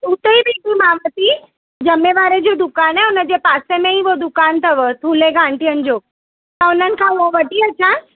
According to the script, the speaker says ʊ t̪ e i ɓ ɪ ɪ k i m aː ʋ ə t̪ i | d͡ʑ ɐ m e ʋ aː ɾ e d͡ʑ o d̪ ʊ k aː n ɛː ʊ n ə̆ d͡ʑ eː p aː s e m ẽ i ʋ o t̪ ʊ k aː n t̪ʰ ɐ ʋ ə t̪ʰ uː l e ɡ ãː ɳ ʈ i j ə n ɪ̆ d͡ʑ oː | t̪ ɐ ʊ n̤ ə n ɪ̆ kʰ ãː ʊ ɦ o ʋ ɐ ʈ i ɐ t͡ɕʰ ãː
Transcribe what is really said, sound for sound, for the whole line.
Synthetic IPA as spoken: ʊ t̪ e i b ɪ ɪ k i m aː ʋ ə t̪ i | d͡ʑ ɐ m e ʋ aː ɾ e d͡ʑ o d̪ ʊ k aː n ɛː ʊ n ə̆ d͡ʑ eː p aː s e m ẽ i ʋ o d̪ ʊ k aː n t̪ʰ ɐ ʋ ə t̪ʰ uː l e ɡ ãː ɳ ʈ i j ə n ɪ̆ d͡ʑ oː | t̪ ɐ ʊ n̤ ə n ɪ̆ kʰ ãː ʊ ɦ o ʋ ɐ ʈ i ɐ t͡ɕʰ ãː